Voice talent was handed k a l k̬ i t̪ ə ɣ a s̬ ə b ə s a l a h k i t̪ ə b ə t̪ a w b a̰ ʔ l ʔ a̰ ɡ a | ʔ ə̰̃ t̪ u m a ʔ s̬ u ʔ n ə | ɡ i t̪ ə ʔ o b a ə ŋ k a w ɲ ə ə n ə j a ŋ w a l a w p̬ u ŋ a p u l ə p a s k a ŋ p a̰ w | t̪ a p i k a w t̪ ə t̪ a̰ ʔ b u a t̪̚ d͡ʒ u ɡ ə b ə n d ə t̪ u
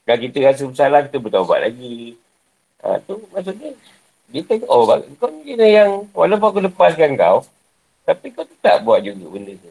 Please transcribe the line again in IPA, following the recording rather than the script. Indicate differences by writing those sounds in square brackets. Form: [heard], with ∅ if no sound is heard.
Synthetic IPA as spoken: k a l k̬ i t̪ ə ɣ a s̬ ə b ə s a l a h k i t̪ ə b ə t̪ a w b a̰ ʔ l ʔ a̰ ɡ [i] | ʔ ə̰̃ t̪ u m a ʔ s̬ u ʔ [ɲ] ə | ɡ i t̪ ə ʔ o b a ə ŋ k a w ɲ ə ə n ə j a ŋ w a l a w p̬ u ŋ a [k] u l ə p a s k a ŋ [k] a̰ w | t̪ a p i k a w t̪ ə t̪ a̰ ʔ b u a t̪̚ d͡ʒ u ɡ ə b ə n d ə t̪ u